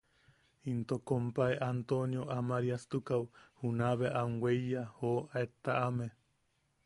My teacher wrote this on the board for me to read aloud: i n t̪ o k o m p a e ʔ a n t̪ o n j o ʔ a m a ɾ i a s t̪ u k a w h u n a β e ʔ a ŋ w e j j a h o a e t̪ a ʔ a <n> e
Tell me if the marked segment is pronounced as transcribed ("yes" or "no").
no